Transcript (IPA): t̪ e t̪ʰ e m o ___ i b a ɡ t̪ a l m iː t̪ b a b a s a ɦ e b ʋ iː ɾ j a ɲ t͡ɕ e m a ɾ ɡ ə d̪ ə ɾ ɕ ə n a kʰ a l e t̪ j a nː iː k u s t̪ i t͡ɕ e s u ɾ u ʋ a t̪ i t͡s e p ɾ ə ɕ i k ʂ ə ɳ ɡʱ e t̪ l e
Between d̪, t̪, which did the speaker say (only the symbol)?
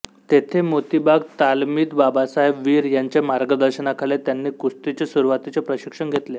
t̪